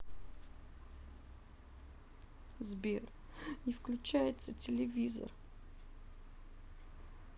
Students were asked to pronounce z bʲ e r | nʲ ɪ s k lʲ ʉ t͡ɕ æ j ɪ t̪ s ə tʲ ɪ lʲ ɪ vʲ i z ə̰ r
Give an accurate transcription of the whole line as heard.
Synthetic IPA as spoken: z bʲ e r | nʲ ɪ f k lʲ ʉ t͡ɕ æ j ɪ t̪ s ə tʲ ɪ lʲ ɪ vʲ i z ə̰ r